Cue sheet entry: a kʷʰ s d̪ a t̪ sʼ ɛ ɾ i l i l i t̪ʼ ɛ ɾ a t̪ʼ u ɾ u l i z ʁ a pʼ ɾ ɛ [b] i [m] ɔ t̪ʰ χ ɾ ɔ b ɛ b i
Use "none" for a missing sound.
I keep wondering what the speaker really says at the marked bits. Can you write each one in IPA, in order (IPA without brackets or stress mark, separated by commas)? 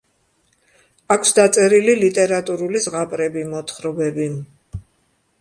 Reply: b, m